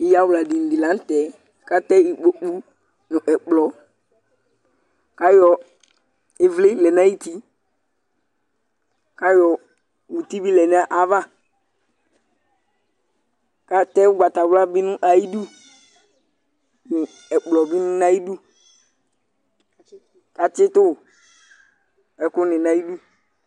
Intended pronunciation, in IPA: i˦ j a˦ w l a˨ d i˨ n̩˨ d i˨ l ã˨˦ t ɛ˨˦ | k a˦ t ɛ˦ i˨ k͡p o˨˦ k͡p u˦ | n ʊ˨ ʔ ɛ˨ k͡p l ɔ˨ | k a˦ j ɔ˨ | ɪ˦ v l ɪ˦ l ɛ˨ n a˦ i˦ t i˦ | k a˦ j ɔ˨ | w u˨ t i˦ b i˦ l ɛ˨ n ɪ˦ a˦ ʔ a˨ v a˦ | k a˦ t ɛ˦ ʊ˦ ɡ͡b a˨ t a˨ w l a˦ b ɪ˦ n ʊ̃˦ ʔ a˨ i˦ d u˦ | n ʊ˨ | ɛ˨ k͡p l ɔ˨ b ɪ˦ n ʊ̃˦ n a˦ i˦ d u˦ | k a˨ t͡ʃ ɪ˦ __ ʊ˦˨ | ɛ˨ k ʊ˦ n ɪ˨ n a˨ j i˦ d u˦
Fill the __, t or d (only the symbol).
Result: t